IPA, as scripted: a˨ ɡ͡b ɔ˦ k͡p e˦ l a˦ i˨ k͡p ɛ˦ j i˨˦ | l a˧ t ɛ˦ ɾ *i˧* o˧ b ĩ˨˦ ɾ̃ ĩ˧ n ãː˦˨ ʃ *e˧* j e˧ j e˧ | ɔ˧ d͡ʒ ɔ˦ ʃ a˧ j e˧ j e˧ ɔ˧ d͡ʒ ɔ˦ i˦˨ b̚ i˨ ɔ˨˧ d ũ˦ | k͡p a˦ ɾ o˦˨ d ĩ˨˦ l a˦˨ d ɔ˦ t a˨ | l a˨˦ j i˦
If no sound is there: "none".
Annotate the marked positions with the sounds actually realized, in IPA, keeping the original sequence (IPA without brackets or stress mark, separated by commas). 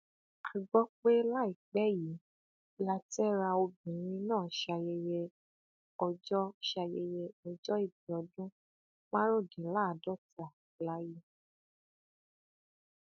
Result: a˧, a˧